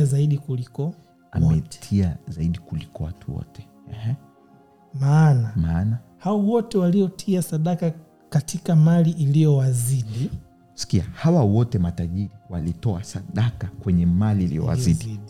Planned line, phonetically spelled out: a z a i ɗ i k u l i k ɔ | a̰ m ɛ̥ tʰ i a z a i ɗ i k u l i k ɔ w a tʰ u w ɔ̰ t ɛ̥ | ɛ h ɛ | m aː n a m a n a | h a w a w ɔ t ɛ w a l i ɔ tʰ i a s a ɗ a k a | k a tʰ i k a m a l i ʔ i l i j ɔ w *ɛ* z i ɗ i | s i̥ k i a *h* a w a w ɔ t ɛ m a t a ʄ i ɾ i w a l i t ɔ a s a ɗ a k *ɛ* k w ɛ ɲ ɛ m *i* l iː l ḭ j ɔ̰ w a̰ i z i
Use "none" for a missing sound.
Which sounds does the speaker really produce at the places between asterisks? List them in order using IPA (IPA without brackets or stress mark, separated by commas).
a, h, a, a